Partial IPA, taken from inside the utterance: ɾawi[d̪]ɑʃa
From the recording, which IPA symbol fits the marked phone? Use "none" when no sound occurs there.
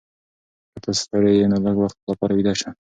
d̪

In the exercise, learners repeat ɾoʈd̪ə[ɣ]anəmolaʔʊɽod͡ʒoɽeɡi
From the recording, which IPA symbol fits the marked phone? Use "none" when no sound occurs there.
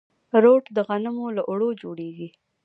ɣ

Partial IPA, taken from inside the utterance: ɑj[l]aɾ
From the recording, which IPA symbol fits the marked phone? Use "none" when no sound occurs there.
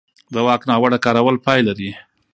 l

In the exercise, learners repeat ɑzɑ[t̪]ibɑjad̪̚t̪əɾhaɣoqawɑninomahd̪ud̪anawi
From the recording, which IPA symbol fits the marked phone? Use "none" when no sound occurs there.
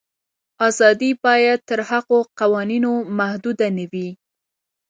d̪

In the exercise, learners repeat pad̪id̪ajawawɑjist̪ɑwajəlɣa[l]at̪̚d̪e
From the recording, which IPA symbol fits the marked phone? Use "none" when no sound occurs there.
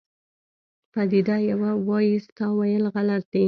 l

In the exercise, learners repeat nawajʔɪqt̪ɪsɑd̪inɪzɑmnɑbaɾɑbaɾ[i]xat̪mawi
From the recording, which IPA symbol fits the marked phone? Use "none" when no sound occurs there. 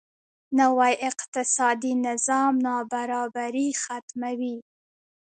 i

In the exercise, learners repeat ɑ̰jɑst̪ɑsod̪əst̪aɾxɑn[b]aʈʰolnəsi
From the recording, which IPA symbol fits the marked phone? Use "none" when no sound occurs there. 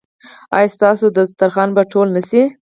b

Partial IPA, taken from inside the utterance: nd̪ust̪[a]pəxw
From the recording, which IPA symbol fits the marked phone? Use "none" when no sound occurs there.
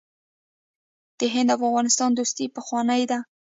i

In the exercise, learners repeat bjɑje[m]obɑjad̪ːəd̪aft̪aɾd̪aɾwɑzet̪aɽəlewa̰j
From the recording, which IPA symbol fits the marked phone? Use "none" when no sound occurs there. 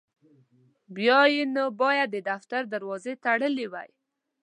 n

